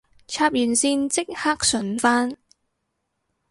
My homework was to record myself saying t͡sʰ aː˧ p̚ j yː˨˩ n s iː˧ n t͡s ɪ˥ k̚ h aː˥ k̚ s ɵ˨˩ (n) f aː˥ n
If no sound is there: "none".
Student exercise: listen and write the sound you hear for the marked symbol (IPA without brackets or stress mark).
n